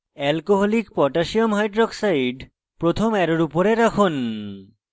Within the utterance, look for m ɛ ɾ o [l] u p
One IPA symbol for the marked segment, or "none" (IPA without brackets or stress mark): ɾ